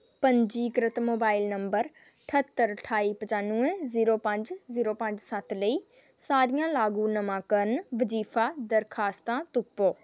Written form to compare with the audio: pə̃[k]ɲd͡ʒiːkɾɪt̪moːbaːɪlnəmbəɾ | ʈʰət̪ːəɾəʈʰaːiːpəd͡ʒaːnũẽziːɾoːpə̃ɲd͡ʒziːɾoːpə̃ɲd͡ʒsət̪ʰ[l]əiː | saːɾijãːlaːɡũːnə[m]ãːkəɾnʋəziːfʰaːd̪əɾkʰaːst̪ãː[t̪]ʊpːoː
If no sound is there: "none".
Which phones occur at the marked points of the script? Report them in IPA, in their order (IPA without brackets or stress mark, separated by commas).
none, l, m, t̪